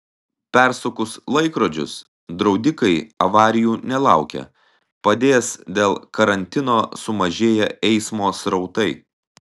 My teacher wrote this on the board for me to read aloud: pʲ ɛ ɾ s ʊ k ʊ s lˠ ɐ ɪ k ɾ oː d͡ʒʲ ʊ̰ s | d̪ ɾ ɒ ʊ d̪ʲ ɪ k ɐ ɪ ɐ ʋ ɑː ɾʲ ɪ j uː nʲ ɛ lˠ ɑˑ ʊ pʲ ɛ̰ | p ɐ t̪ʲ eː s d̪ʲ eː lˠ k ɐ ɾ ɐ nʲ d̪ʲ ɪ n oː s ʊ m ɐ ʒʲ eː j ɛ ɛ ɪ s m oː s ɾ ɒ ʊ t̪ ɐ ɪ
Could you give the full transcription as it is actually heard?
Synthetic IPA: pʲ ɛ ɾ s ʊ k ʊ s lˠ ɐ ɪ k ɾ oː d͡ʒʲ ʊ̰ s | d̪ ɾ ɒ ʊ d̪ʲ ɪ k ɐ ɪ ɐ ʋ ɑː ɾʲ ɪ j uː nʲ ɛ lˠ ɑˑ ʊ kʲ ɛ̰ | p ɐ d̪ʲ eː s d̪ʲ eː lˠ k ɐ ɾ ɐ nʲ t̪ʲ ɪ n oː s ʊ m ɐ ʒʲ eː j ɛ ɛ ɪ s m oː s ɾ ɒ ʊ t̪ ɐ ɪ

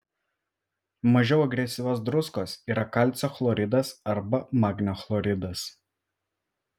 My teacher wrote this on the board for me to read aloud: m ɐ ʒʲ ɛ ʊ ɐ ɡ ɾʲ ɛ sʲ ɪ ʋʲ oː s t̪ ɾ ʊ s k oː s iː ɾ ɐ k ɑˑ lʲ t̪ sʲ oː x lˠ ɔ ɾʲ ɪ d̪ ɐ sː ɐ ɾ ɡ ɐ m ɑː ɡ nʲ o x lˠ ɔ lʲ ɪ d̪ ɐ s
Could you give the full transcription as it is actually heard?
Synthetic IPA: m ɐ ʒʲ ɛ ʊ ɐ ɡ ɾʲ ɛ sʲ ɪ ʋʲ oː s d̪ ɾ ʊ s k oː s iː ɾ ɐ k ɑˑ lʲ t̪ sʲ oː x lˠ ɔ ɾʲ ɪ d̪ ɐ s ɐ ɾ b ɐ m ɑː ɡ nʲ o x lˠ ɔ ɾʲ ɪ d̪ ɐ s

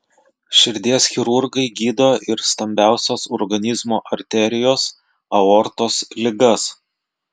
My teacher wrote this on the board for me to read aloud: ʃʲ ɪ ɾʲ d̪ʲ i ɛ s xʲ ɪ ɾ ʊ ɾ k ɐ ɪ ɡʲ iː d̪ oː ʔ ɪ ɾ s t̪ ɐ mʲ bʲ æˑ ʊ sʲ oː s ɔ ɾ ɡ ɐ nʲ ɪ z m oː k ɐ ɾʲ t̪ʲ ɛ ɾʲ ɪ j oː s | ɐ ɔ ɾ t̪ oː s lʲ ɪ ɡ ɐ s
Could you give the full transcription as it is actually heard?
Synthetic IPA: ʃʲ ɪ ɾʲ d̪ʲ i ɛ s xʲ ɪ ɾ ʊ ɾ ɡ ɐ ɪ ɡʲ iː d̪ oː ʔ ɪ ɾ s t̪ ɐ mʲ bʲ æˑ ʊ sʲ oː s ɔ ɾ ɡ ɐ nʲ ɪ z m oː ʔ ɐ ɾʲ t̪ʲ ɛ ɾʲ ɪ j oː s | ɐ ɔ ɾ t̪ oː s lʲ ɪ ɡ ɐ s

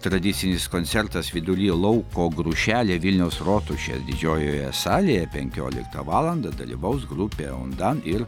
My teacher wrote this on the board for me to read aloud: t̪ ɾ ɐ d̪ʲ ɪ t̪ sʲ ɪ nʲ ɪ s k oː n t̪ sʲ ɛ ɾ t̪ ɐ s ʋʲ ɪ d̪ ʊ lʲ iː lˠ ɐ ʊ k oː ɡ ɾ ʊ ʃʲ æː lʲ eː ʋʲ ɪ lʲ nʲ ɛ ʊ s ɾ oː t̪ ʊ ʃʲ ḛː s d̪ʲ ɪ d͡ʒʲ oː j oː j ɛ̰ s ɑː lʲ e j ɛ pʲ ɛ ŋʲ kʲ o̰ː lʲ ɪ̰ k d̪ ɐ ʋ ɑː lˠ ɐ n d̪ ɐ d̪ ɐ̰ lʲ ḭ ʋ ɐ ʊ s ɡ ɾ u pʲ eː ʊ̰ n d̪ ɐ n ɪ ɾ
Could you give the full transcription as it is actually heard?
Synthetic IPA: t̪ ɾ ɐ d̪ʲ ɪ t̪ sʲ ɪ nʲ ɪ s k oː n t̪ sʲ ɛ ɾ t̪ ɐ s ʋʲ ɪ d̪ ʊ lʲ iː lˠ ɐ ʊ k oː ɡ ɾ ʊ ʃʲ æː lʲ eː ʋʲ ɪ lʲ nʲ ɛ ʊ s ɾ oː t̪ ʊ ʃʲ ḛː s d̪ʲ ɪ d͡ʒʲ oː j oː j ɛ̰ s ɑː lʲ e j ɛ pʲ ɛ ŋʲ kʲ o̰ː lʲ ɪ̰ k t̪ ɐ ʋ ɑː lˠ ɐ n d̪ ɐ d̪ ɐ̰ lʲ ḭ ʋ ɐ ʊ s ɡ ɾ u pʲ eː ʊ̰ n d̪ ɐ n ɪ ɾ

